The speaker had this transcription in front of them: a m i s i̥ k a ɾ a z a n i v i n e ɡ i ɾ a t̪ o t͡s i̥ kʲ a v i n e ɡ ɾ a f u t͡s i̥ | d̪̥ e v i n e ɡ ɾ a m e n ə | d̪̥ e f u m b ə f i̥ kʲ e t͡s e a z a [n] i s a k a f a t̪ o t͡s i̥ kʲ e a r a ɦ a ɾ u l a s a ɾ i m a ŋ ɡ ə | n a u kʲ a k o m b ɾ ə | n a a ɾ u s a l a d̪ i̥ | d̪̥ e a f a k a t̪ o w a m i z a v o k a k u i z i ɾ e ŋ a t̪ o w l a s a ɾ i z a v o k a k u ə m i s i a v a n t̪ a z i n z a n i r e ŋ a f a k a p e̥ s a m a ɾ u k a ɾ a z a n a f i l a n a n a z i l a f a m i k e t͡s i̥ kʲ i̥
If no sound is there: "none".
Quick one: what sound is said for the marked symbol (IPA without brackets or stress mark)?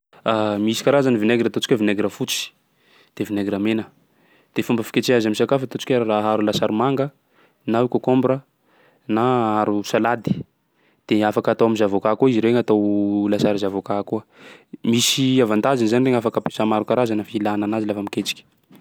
m